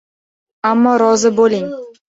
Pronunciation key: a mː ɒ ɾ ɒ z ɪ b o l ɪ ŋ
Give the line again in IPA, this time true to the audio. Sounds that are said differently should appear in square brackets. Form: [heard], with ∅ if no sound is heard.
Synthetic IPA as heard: a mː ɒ ɾ ɒ z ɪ b o l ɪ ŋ